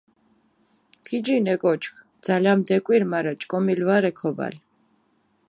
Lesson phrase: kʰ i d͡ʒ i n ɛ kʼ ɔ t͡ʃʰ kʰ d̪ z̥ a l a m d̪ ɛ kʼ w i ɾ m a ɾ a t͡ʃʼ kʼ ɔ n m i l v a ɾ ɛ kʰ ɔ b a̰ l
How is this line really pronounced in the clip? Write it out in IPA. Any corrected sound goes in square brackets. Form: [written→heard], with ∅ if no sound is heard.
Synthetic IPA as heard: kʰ i d͡ʒ i n ɛ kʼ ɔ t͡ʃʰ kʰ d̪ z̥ a l a m d̪ ɛ kʼ w i ɾ m a ɾ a t͡ʃʼ kʼ ɔ [n→∅] m i l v a ɾ ɛ kʰ ɔ b a̰ l